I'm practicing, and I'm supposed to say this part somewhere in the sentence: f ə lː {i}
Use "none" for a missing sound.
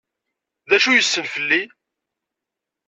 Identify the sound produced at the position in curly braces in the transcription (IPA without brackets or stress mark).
i